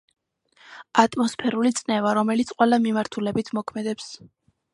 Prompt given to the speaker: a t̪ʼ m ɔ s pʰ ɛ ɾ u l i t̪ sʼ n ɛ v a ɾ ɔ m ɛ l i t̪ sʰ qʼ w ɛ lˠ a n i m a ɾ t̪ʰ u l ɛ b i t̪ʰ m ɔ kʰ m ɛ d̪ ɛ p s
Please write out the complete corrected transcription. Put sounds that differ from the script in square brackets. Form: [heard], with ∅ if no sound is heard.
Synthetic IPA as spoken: a t̪ʼ m ɔ s pʰ ɛ ɾ u l i t̪ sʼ n ɛ v a ɾ ɔ m ɛ l i t̪ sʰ qʼ w ɛ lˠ a [m] i m a ɾ t̪ʰ u l ɛ b i t̪ʰ m ɔ kʰ m ɛ d̪ ɛ p s